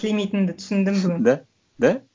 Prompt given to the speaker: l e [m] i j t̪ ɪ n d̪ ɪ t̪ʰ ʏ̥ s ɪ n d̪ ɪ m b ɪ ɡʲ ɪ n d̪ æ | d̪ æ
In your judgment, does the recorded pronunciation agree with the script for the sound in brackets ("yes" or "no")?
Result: yes